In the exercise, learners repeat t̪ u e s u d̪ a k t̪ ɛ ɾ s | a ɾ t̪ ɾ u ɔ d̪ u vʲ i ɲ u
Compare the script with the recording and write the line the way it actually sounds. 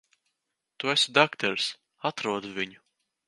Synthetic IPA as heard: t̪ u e s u d̪ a k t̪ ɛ ɾ s | a t̪ ɾ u ɔ d̪ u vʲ i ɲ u